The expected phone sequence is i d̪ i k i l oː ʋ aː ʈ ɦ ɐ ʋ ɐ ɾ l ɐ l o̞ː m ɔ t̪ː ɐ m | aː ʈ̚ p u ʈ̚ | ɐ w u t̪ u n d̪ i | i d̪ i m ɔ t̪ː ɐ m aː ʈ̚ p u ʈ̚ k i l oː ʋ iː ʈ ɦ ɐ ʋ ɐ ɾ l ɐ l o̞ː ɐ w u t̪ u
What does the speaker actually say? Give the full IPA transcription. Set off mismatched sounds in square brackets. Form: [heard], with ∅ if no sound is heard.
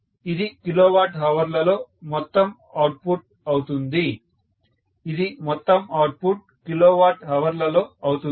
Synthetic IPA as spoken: i d̪ i k i l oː ʋ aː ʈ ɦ ɐ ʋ ɐ ɾ l ɐ l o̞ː m ɔ t̪ː ɐ m | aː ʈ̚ p u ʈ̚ | ɐ w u t̪ u n d̪ i | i d̪ i m ɔ t̪ː ɐ m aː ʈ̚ p u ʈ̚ k i l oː ʋ [aː] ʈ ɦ ɐ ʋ ɐ ɾ l ɐ l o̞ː ɐ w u t̪ u